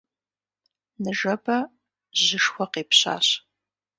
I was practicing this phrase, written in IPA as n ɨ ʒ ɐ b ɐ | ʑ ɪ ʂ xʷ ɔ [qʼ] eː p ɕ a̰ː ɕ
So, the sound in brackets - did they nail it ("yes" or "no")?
no